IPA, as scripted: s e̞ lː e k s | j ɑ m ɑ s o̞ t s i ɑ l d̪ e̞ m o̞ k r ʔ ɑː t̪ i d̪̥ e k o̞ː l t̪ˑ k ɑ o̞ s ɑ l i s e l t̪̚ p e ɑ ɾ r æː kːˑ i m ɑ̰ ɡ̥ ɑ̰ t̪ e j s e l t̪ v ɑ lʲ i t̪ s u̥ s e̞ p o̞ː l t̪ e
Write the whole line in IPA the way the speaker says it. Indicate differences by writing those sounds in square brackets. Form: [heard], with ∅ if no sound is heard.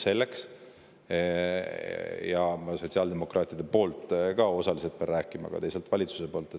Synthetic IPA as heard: s e̞ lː e k s | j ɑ m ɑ s o̞ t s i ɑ l d̪ e̞ m o̞ k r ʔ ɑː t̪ i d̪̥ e [p] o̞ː l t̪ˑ k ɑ o̞ s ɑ l i s e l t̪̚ p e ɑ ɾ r æː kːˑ i m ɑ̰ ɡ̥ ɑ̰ t̪ e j s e l t̪ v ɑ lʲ i t̪ s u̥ s e̞ p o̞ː l t̪ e